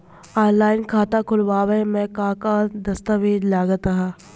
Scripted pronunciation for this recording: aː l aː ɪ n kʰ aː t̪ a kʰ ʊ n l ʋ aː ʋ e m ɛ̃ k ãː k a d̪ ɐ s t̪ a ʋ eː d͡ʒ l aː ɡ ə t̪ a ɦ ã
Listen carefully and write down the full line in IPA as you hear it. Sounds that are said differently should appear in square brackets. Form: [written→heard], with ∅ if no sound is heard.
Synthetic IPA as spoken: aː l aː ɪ n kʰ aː t̪ a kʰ ʊ [n→∅] l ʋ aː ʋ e m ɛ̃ k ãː k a d̪ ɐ s t̪ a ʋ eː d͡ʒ l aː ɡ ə t̪ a ɦ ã